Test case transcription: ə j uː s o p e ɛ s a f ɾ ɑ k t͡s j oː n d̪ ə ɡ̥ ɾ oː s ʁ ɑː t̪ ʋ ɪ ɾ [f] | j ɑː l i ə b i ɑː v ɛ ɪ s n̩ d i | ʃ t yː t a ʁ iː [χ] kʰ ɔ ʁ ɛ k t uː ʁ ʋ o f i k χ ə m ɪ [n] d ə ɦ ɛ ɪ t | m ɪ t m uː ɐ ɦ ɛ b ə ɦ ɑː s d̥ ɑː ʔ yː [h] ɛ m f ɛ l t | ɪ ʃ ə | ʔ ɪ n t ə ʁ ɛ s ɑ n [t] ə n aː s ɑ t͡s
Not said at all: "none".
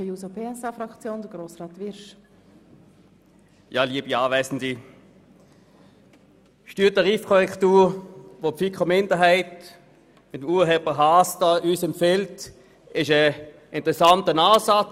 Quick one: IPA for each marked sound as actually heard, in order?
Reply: ʃ, f, n, s, t

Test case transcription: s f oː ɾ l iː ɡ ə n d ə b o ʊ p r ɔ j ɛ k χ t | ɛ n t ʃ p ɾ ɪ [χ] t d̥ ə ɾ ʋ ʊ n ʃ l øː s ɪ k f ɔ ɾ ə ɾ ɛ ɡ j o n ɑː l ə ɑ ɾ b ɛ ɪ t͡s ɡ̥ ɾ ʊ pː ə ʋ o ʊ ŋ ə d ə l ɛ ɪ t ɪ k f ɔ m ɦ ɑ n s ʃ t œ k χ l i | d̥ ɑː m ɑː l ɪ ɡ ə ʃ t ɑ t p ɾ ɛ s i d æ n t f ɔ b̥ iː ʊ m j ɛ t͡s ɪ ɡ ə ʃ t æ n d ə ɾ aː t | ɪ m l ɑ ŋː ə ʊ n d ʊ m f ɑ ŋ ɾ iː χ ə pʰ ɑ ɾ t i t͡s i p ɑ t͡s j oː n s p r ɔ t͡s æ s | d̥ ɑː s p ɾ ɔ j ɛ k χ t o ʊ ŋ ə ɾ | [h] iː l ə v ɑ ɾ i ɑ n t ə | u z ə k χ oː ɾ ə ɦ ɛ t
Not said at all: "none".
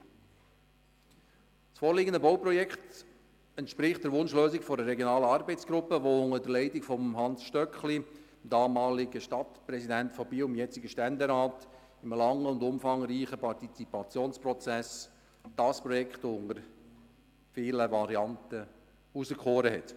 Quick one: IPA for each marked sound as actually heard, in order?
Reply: χ, f

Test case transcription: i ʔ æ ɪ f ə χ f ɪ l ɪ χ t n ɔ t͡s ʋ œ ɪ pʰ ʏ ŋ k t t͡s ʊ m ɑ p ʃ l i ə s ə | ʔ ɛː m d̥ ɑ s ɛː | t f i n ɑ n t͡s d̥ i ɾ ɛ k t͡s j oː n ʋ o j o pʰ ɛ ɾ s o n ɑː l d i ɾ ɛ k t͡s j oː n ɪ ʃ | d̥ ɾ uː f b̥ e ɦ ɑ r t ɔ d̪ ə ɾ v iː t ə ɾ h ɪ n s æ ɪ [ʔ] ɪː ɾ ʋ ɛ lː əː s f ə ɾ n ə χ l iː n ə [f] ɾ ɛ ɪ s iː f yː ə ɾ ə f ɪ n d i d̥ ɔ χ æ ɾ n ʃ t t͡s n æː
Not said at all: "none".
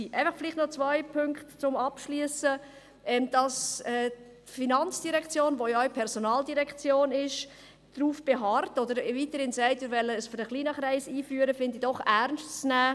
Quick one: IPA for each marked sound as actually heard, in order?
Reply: t, χ

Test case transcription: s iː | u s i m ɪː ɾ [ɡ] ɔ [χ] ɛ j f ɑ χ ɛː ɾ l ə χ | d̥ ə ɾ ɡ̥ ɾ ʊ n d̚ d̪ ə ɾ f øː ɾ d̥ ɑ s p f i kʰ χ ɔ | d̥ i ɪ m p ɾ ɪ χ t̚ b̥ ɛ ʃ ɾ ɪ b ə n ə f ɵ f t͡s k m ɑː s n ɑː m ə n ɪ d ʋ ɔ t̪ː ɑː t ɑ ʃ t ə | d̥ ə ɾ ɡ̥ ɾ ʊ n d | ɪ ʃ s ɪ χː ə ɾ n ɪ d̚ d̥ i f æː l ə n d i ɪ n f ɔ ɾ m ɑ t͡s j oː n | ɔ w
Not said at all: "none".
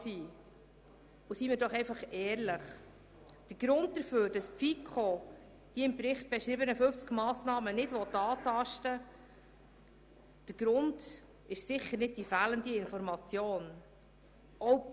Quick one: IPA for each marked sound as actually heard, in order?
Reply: d, χ

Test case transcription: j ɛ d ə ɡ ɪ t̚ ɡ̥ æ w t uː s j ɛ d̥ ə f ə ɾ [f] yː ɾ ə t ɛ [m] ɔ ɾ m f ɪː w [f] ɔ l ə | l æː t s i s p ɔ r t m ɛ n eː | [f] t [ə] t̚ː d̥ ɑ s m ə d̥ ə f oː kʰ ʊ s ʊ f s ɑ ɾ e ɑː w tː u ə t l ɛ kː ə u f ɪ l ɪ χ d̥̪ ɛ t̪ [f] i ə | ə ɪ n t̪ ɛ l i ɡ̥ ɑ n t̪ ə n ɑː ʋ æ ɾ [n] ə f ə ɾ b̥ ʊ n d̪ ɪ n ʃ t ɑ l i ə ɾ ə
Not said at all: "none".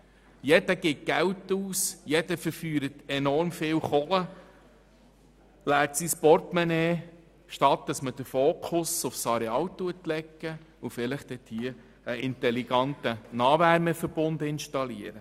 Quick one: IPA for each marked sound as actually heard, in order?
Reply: f, n, χ, ʃ, ɑ, h, m

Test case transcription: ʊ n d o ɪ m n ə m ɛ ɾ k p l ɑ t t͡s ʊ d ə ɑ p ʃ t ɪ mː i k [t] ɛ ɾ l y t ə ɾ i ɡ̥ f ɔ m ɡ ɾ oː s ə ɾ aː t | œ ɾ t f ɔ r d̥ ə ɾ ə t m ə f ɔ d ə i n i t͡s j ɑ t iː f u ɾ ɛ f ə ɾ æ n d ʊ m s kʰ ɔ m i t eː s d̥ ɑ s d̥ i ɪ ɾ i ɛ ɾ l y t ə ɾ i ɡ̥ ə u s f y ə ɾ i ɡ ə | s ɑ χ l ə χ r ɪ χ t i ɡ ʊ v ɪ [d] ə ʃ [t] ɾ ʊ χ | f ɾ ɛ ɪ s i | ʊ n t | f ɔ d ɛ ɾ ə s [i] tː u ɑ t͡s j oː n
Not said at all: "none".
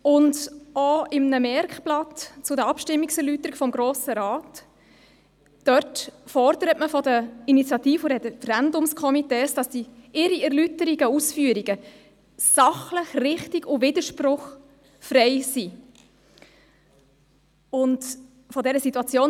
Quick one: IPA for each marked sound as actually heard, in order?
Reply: s, d, p, i

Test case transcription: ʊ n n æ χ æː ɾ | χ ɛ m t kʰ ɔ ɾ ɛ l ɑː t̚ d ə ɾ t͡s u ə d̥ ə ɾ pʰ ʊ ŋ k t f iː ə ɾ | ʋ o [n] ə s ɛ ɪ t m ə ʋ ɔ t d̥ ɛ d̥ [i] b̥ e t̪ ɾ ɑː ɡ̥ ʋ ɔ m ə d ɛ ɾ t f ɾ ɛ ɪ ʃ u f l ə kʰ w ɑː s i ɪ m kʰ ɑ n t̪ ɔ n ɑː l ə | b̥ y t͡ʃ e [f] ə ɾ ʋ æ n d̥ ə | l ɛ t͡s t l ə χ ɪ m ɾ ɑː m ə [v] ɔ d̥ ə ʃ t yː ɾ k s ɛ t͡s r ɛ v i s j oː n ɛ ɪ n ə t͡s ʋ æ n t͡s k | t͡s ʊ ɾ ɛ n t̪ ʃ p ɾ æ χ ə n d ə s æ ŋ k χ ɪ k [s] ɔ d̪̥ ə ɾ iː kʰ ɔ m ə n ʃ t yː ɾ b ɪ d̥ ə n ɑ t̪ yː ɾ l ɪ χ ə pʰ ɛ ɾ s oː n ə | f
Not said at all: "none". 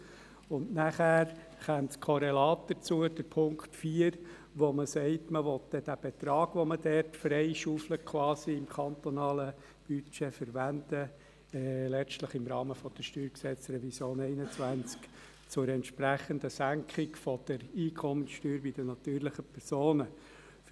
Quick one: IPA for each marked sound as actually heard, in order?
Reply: m, æ, f, f, f

